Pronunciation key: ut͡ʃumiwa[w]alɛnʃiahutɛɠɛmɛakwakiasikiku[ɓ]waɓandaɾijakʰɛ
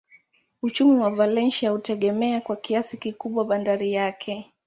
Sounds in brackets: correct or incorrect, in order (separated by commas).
incorrect, correct